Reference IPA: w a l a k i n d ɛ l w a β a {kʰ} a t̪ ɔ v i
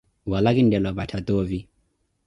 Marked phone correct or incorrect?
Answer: incorrect